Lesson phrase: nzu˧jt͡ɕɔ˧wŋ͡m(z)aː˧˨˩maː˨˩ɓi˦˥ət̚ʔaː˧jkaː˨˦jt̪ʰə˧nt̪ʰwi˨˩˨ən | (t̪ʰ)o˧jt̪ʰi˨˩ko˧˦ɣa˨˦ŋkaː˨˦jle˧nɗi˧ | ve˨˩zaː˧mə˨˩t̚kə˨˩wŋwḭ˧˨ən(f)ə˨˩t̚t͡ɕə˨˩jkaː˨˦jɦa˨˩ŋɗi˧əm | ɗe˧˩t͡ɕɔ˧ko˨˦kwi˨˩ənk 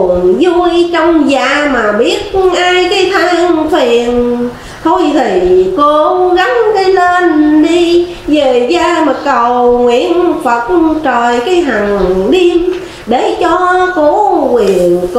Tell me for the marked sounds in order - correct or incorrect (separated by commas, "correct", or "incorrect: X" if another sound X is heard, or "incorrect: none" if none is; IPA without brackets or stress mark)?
correct, correct, correct